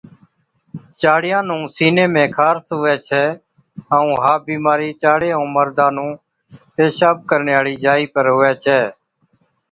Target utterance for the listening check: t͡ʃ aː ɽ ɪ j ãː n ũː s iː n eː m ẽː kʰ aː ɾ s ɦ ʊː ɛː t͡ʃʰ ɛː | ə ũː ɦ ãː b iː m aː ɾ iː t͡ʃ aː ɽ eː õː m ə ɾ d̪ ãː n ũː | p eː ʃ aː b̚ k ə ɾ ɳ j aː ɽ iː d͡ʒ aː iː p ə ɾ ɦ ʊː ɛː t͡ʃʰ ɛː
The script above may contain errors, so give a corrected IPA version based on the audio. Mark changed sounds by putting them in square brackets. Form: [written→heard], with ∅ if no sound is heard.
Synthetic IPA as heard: t͡ʃ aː ɽ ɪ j ãː n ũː s iː n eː m ẽː kʰ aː ɾ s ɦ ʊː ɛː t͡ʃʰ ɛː | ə ũː ɦ [ãː→aː] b iː m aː ɾ iː t͡ʃ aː ɽ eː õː m ə ɾ d̪ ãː n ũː | p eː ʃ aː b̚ k ə ɾ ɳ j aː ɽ iː d͡ʒ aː iː p ə ɾ ɦ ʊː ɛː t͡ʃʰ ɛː